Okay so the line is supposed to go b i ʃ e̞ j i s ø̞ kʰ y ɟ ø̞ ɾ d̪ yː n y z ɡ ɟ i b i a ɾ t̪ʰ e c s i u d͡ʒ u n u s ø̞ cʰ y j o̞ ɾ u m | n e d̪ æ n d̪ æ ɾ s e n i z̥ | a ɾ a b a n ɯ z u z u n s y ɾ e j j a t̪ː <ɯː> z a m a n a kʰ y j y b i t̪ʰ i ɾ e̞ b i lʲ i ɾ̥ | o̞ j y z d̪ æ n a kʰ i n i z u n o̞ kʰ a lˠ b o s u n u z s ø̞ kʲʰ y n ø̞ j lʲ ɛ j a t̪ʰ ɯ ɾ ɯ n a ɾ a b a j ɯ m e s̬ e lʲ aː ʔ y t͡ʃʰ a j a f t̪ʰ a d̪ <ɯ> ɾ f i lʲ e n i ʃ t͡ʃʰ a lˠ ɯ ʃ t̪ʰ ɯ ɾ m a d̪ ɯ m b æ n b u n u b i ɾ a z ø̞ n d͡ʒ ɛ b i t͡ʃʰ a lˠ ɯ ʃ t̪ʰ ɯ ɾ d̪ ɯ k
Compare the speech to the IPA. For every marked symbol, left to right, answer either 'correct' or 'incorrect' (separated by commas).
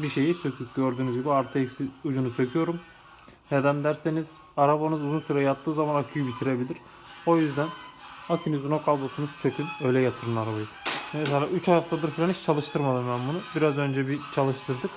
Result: correct, correct